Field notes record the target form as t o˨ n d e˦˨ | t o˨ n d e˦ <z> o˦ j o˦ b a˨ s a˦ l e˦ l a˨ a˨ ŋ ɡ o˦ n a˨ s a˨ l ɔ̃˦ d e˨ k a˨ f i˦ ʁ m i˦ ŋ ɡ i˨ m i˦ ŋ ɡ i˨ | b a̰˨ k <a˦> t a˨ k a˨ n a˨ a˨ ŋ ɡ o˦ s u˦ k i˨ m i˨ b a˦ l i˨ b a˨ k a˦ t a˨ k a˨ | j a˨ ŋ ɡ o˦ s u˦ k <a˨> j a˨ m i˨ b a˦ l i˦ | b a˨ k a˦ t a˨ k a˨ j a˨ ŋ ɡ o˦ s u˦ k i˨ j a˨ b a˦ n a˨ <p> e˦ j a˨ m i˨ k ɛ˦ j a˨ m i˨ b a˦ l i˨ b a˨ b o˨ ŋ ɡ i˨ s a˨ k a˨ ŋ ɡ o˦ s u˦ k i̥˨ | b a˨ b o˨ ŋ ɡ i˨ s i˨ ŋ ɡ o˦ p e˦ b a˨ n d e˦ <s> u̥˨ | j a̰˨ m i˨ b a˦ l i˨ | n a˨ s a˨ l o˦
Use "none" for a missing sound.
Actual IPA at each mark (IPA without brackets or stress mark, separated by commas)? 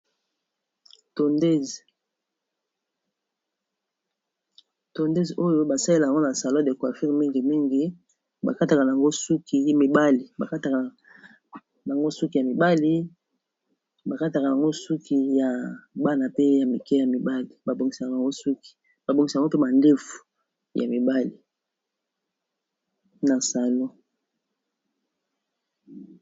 z, a˦, i˨, p, f